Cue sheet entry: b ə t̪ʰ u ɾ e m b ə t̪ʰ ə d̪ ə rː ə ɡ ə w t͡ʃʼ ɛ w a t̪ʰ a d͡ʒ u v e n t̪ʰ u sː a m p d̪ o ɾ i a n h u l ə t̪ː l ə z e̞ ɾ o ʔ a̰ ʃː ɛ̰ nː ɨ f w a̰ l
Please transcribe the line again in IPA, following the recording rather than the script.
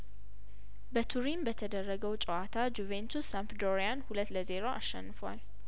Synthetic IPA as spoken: b ə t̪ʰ u ɾ i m b ə t̪ʰ ə d̪ ə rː ə ɡ ə w t͡ʃʼ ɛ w a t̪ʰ a d͡ʒ u v e n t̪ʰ u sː a m p d̪ o ɾ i a n h u l ə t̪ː l ə z e̞ ɾ o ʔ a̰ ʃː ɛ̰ nː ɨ f w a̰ l

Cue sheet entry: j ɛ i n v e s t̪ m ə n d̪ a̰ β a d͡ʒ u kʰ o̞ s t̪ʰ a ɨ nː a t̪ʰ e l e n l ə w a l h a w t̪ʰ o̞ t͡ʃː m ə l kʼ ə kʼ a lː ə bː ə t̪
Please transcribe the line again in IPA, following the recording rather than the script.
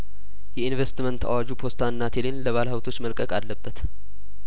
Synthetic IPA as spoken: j ɛ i n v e s t̪ m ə n t̪ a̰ w a d͡ʒ u pʰ o̞ s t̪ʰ a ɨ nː a t̪ʰ e l e n l ə β a l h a w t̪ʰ o̞ t͡ʃː m ə l kʼ ə kʼ a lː ə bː ə t̪

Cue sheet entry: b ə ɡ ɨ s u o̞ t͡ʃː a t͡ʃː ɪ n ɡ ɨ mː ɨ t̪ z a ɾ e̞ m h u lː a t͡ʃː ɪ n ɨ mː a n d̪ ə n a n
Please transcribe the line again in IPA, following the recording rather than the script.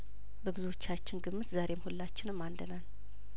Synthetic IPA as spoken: b ə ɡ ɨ z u o̞ t͡ʃː a t͡ʃː ɪ n ɡ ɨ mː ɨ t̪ z a ɾ e̞ m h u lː a t͡ʃː ɪ n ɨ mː a n d̪ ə n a n

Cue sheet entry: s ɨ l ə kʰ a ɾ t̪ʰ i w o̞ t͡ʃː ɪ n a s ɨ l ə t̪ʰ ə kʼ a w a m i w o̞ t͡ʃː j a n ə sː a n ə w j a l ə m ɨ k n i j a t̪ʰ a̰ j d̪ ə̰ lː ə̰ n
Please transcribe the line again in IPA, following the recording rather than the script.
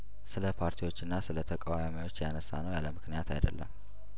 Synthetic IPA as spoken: s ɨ l ə pʰ a ɾ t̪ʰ i w o̞ t͡ʃː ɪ nː a s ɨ l ə t̪ʰ ə kʼ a w a m i w o̞ t͡ʃː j a n ə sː a n ə w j a l ə m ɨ k n i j a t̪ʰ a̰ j d̪ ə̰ lː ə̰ m

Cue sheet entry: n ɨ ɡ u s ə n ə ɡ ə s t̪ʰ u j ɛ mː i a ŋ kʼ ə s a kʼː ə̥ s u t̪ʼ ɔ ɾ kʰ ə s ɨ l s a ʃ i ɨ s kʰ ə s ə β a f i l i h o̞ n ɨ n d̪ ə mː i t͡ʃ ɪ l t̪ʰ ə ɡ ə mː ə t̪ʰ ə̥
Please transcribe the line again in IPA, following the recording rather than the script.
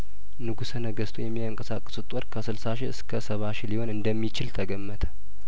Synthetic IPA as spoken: n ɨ ɡ u s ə n ə ɡ ə s t̪ʰ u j ɛ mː i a ŋ kʼ ə s a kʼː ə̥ s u t̪ʼ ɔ ɾ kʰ ə s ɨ l s a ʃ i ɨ s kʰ ə s ə β a ʃ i l i h o̞ n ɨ n d̪ ə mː i t͡ʃ ɪ l t̪ʰ ə ɡ ə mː ə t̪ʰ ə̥

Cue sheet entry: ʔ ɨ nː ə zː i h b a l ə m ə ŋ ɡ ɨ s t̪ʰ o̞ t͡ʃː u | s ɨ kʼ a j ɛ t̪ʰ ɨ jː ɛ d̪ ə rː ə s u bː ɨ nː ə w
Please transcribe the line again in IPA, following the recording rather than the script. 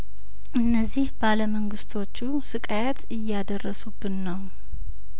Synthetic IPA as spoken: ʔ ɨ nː ə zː i h b a l ə m ə ŋ ɡ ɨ s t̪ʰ o̞ t͡ʃː u | s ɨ kʼ a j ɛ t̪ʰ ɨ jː a d̪ ə rː ə s u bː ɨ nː ə w

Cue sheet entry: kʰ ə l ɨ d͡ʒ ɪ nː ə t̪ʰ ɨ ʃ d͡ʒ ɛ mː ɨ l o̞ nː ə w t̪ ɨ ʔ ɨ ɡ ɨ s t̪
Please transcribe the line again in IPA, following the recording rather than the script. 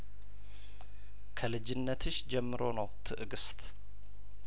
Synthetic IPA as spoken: kʰ ə l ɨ d͡ʒ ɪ nː ə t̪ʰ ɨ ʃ d͡ʒ ɛ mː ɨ ɾ o̞ n ə w t̪ʰ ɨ ʔ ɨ ɡ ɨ s t̪

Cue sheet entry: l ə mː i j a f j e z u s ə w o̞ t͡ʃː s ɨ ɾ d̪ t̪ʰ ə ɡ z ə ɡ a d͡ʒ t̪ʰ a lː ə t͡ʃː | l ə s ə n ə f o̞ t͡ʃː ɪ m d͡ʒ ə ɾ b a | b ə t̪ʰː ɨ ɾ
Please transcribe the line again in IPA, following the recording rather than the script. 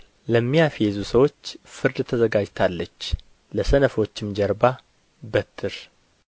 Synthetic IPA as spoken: l ə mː i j a f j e z u s ə w o̞ t͡ʃː f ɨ ɾ d̪ t̪ʰ ə z ə ɡ a d͡ʒ t̪ʰ a lː ə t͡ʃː | l ə s ə n ə f o̞ t͡ʃː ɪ m d͡ʒ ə ɾ b a | b ə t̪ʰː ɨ ɾ

